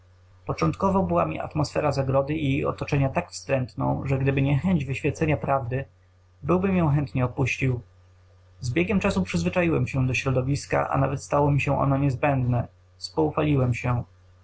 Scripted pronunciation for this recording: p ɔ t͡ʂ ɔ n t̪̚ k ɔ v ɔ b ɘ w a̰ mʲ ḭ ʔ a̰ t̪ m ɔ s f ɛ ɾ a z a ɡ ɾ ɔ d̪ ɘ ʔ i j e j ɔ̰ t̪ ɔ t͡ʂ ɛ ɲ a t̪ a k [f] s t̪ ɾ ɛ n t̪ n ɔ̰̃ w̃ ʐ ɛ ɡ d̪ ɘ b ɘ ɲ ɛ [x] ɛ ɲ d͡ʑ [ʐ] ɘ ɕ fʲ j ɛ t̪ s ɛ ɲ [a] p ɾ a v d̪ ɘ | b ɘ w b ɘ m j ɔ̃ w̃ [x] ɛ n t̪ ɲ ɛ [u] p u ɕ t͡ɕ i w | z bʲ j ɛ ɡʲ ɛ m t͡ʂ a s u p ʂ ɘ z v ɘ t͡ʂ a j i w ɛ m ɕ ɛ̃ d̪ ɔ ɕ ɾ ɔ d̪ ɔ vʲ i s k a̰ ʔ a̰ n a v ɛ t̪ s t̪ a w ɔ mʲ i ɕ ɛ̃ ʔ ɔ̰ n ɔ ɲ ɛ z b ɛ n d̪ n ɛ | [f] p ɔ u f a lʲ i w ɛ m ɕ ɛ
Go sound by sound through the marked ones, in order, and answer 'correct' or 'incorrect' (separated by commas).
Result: correct, correct, incorrect, correct, correct, incorrect, incorrect